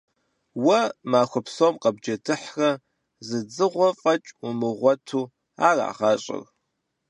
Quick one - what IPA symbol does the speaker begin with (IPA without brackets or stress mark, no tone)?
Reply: w